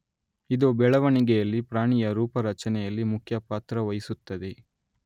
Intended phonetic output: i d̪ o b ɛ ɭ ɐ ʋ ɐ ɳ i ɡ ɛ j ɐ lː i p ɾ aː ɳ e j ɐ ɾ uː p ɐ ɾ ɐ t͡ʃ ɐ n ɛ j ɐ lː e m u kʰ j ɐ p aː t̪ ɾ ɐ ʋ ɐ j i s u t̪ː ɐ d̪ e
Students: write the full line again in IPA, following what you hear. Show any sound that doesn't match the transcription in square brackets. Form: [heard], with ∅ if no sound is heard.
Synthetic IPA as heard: i d̪ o b ɛ ɭ ɐ ʋ ɐ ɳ i ɡ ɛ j ɐ lː i p ɾ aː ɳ [i] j ɐ ɾ uː p ɐ ɾ ɐ t͡ʃ ɐ n ɛ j ɐ lː [i] m u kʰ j ɐ p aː t̪ ɾ ɐ ʋ ɐ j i s u t̪ː ɐ d̪ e